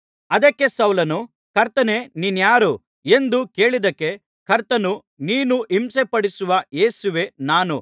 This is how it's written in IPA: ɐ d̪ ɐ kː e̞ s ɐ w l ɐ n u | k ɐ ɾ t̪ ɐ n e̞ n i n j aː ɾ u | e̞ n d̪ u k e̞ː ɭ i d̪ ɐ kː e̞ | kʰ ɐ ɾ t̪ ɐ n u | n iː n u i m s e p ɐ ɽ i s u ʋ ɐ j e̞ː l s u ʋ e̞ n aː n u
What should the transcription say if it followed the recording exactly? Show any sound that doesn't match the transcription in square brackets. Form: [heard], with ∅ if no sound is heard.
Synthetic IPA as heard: ɐ d̪ ɐ kː e̞ s ɐ w l ɐ n u | k ɐ ɾ t̪ ɐ n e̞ n i n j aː ɾ u | e̞ n d̪ u k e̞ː ɭ i d̪ ɐ kː e̞ | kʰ ɐ ɾ t̪ ɐ n u | n iː n u i m s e p ɐ ɽ i s u ʋ ɐ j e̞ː [∅] s u ʋ e̞ n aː n u